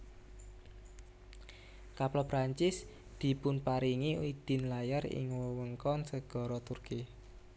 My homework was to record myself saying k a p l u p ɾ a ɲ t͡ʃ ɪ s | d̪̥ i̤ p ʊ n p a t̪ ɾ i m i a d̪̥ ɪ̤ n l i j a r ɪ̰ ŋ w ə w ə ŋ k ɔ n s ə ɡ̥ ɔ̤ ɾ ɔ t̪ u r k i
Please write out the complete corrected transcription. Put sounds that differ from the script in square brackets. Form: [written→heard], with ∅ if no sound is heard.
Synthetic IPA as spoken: k a p l [u→ɔ] p ɾ a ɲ t͡ʃ ɪ s | d̪̥ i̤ p ʊ n p a [t̪→∅] ɾ i [m→ŋ] i [a→i] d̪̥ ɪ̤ n l [i→a] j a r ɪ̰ ŋ w ə w ə ŋ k ɔ n s ə ɡ̥ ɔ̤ ɾ ɔ t̪ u r k i